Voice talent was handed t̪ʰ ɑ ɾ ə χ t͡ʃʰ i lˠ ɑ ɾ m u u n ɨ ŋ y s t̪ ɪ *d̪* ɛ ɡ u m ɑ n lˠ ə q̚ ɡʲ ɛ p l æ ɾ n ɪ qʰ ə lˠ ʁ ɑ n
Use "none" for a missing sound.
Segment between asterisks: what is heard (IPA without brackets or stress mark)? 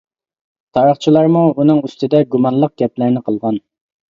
d̪